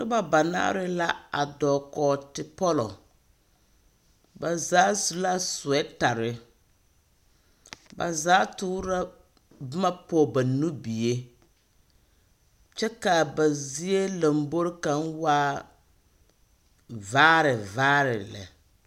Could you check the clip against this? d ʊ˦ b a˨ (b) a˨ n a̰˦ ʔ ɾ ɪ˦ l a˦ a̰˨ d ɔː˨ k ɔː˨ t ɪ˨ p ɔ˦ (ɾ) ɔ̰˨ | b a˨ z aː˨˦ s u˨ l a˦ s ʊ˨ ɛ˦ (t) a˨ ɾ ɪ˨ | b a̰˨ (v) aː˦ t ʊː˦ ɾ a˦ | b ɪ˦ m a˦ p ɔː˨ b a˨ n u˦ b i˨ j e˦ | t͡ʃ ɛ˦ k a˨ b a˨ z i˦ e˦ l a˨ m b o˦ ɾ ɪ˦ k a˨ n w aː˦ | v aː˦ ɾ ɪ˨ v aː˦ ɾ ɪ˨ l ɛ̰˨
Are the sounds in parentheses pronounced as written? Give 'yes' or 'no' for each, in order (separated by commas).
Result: yes, no, yes, no